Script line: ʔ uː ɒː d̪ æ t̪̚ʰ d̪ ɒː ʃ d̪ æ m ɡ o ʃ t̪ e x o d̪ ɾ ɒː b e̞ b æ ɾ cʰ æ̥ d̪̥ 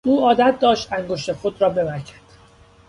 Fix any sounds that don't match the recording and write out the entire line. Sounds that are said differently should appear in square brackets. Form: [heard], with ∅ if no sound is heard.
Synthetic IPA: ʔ uː ɒː d̪ æ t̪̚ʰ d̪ ɒː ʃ [t̪] æ [ŋ] ɡ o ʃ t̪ e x o d̪ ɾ ɒː b e̞ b æ ɾ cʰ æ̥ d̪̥